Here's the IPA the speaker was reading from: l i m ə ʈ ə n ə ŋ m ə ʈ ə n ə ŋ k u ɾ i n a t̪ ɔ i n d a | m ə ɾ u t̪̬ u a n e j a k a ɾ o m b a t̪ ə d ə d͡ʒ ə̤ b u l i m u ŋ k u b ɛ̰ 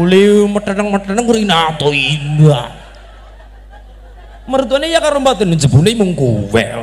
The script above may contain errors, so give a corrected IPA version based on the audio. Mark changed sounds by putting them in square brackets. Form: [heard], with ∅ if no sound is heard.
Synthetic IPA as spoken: l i m ə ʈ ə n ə ŋ m ə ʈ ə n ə ŋ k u ɾ i n a t̪ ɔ i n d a | m ə ɾ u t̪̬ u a n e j a k a ɾ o m b a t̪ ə [n] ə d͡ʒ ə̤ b u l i m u ŋ k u [w] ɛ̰